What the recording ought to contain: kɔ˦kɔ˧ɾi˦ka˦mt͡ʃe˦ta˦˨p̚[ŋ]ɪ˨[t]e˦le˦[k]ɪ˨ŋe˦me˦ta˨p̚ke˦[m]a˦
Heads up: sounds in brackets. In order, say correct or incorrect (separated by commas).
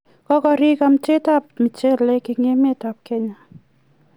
incorrect, incorrect, correct, incorrect